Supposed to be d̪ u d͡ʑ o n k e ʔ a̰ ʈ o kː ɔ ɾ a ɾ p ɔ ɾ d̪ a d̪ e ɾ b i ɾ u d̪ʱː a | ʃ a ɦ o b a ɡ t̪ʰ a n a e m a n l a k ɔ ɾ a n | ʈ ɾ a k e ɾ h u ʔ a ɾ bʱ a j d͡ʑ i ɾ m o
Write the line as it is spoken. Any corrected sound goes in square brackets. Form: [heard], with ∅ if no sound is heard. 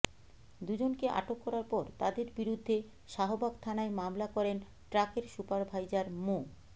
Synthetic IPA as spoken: d̪ u d͡ʑ o n k e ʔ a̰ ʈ o kː ɔ ɾ a ɾ p ɔ ɾ [t̪] a d̪ e ɾ b i ɾ u d̪ʱː [e] | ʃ a ɦ o b a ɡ t̪ʰ a n a e m a [m] l a k ɔ ɾ [e] n | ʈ ɾ a k e ɾ [ʃ] u [p] a ɾ bʱ a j d͡ʑ [a] ɾ m o

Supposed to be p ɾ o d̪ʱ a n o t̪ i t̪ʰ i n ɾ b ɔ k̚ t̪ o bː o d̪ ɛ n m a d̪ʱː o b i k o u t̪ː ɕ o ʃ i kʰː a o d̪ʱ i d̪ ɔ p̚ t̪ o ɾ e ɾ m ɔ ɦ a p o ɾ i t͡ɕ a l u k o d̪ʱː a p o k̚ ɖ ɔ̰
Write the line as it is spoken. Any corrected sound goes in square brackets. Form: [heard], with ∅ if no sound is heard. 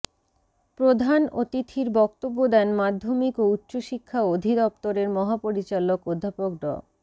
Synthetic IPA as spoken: p ɾ o d̪ʱ a n o t̪ i t̪ʰ i [∅] ɾ b ɔ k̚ t̪ o bː o d̪ ɛ n m a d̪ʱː o [m] i k o u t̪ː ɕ o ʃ i kʰː a o d̪ʱ i d̪ ɔ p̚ t̪ o ɾ e ɾ m ɔ ɦ a p o ɾ i t͡ɕ a l [o] k o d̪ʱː a p o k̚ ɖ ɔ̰

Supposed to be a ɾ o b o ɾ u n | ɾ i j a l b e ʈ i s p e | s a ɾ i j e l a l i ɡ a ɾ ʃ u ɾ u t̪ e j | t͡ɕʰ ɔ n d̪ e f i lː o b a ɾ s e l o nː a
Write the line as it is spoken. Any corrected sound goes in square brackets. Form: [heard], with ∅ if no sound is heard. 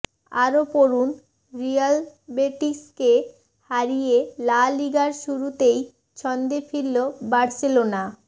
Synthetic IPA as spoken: a ɾ o [p] o ɾ u n | ɾ i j a l b e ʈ i s [k] e | [h] a ɾ i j e l a l i ɡ a ɾ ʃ u ɾ u t̪ e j | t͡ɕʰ ɔ n d̪ e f i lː o b a ɾ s e l o [n] a

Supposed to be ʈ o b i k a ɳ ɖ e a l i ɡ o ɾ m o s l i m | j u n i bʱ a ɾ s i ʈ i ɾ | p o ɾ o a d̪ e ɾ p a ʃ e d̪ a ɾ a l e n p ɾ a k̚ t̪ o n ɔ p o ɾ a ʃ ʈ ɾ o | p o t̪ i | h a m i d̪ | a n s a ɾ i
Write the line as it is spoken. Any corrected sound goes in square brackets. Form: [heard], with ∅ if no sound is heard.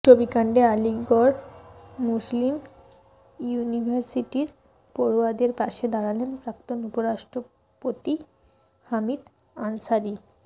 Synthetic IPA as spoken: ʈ o b i k a ɳ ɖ e a l i ɡ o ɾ m [u] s l i m | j u n i bʱ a ɾ s i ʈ i ɾ | p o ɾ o a d̪ e ɾ p a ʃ e d̪ a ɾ a l e n p ɾ a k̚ t̪ o n [u] p o ɾ a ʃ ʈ ɾ o | p o t̪ i | h a m i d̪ | a n s a ɾ i

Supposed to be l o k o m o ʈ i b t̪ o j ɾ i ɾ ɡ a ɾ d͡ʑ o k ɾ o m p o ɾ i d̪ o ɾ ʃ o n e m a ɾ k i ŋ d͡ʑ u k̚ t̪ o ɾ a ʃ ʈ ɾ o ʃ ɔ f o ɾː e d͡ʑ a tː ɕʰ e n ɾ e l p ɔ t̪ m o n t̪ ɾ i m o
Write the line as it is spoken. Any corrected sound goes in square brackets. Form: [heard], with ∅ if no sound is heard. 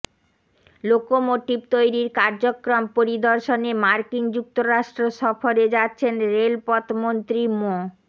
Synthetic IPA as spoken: l o k o m o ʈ i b t̪ o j ɾ i ɾ [k] a ɾ d͡ʑ o k ɾ o m p o ɾ i d̪ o ɾ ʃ o n e m a ɾ k i ŋ d͡ʑ u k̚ t̪ o ɾ a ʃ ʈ ɾ o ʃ ɔ f o [ɾ] e d͡ʑ a tː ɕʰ e n ɾ e l p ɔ t̪ m o n t̪ ɾ i m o

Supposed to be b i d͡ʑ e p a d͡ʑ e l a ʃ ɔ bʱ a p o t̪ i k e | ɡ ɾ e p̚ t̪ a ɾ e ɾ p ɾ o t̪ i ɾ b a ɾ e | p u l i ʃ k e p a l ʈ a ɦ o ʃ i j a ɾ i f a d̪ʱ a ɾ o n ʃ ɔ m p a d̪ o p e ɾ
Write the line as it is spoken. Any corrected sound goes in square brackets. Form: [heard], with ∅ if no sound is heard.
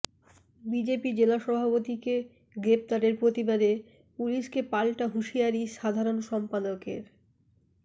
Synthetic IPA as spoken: b i d͡ʑ e p [i] d͡ʑ e l a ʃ ɔ bʱ a p o t̪ i k e | ɡ ɾ e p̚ t̪ a ɾ e ɾ p ɾ o t̪ i [∅] b a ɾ e | p u l i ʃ k e p a l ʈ a ɦ [u] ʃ i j a ɾ i [ʃ] a d̪ʱ a ɾ o n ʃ ɔ m p a d̪ o [k] e ɾ

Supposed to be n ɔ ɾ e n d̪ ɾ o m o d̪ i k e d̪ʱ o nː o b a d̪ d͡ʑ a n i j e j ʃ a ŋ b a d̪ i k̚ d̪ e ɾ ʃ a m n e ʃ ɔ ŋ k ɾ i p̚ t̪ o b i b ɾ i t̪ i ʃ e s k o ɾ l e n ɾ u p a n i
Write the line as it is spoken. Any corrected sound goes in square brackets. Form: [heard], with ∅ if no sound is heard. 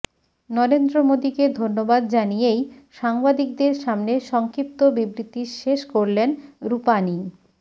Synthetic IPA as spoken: n ɔ ɾ e n d̪ ɾ o m o d̪ i k e d̪ʱ o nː o b a d̪ d͡ʑ a n i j e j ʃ a ŋ b a d̪ i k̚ d̪ e ɾ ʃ a m n e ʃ ɔ ŋ k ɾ i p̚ t̪ o b i b ɾ i t̪ i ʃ e [ʃ] k o ɾ l e n ɾ u p a n i

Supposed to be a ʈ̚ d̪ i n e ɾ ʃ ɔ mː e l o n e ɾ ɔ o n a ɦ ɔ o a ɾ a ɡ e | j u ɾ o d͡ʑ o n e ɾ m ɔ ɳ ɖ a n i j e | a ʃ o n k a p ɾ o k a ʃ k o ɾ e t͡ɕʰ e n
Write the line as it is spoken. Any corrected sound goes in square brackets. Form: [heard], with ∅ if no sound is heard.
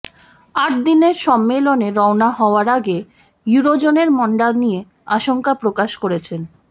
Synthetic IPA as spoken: a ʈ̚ d̪ i n e ɾ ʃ ɔ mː e l o n e ɾ ɔ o n a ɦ ɔ o a ɾ a ɡ e | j u ɾ o d͡ʑ o n e ɾ m ɔ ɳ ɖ a n i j e | a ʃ o [ŋ] k a p ɾ o k a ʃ k o ɾ e t͡ɕʰ e n

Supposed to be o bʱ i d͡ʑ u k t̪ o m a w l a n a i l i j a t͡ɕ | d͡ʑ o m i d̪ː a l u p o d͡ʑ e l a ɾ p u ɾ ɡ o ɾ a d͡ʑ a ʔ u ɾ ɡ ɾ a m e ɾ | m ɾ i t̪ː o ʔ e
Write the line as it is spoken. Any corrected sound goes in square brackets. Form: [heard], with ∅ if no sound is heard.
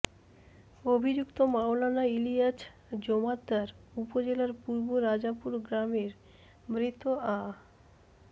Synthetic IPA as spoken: o bʱ i d͡ʑ u k t̪ o m a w l a n a i l i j a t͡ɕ | d͡ʑ o m [a] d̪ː a [ɾ] u p o d͡ʑ e l a ɾ p u ɾ [b] o ɾ a d͡ʑ a [p] u ɾ ɡ ɾ a m e ɾ | m ɾ i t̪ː o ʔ [a]

